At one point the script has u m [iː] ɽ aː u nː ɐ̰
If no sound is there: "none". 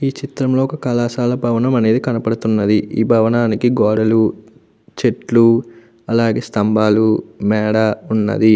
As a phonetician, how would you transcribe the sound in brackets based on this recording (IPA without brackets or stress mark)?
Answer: ɛː